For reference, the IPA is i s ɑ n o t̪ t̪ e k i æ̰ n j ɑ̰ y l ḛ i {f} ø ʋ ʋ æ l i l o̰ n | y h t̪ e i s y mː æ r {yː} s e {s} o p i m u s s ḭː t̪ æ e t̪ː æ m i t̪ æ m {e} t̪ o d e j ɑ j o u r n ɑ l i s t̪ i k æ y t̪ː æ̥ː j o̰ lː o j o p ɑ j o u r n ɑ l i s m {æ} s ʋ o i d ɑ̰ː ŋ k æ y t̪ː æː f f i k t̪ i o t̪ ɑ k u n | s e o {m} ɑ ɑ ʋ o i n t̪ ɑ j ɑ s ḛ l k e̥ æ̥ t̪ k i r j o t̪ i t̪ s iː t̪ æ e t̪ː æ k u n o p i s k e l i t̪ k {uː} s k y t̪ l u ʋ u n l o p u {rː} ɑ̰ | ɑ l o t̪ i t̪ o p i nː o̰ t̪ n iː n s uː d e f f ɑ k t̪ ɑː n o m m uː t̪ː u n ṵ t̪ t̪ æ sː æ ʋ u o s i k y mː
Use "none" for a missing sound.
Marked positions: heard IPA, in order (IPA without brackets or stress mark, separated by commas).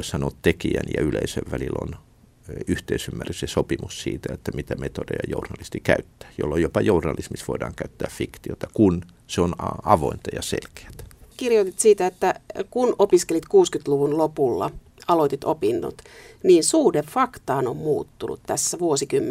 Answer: s, y, s, e, i, n, uː, lː